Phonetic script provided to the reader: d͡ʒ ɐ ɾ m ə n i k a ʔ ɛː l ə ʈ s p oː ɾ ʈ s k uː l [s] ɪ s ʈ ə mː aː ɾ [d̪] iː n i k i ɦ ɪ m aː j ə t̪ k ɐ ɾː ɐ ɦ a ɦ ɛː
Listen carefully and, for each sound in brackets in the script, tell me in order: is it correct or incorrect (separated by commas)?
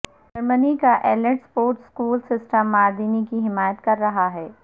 correct, correct